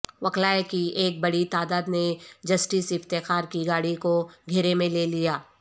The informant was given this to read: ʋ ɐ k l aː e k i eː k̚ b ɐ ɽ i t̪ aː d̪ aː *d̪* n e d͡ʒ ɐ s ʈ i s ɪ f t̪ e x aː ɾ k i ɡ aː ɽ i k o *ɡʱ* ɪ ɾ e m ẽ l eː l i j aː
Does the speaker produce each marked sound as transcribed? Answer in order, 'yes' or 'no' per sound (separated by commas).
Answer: yes, yes